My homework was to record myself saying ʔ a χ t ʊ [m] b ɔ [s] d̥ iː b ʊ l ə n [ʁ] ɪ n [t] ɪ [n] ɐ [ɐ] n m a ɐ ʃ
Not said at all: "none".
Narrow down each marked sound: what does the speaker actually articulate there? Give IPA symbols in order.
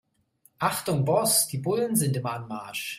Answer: ŋ, s, z, t, m, a

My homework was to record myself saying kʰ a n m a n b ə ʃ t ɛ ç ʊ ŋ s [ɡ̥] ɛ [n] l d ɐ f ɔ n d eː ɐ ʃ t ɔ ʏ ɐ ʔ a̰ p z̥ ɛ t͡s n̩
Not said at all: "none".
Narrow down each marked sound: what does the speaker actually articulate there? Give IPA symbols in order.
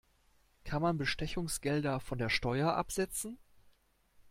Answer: ɡ̥, none

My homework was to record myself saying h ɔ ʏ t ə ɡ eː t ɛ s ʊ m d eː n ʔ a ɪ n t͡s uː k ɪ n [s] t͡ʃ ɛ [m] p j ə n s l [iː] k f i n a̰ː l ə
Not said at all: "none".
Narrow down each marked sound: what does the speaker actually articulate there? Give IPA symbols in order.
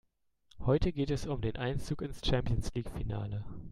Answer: s, m, iː

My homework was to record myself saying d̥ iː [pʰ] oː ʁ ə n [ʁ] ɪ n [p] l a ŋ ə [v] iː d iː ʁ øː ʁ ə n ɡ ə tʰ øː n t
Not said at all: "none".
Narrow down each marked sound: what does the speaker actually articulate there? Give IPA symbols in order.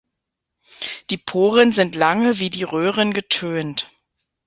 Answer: pʰ, z, t, v

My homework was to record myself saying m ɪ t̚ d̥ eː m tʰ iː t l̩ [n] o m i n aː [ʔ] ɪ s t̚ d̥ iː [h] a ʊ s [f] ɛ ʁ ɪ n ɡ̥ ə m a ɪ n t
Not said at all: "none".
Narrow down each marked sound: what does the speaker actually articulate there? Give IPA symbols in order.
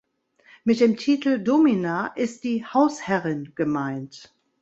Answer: d, ʔ, h, h

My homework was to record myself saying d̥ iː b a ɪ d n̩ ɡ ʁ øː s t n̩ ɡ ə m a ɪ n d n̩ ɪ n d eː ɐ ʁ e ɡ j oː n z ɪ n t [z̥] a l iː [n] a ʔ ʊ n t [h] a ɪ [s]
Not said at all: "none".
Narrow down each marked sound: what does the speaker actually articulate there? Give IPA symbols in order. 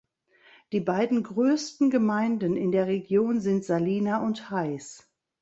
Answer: z̥, n, h, s

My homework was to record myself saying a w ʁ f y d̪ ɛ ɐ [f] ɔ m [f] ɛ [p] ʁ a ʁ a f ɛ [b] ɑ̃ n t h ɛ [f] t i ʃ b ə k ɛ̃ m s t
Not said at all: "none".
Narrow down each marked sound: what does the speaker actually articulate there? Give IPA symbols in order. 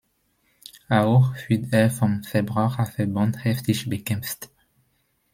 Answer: f, f, b, b, f

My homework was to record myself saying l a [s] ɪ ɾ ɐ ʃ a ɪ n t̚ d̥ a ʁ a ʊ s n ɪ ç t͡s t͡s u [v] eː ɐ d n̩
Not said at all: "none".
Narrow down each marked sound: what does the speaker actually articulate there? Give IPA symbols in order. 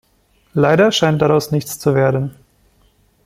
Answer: none, v

